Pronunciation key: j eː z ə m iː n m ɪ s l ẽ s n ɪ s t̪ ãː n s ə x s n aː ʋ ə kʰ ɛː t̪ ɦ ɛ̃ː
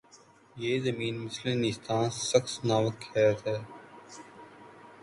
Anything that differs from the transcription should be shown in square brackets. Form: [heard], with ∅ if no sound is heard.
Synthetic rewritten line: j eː z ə m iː n m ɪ s l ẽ [∅] n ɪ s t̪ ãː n s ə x s n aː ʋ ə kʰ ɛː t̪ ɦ [ɛː]